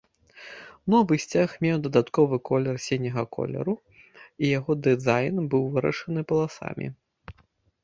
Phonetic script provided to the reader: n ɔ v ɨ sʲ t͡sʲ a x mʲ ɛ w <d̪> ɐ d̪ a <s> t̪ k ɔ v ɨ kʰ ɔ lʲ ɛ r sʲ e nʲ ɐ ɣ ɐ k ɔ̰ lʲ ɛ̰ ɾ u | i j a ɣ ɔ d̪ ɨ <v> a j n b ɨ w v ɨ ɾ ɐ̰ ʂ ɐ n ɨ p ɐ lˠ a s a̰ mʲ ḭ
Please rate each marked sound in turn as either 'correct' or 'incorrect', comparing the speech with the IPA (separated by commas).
correct, incorrect, incorrect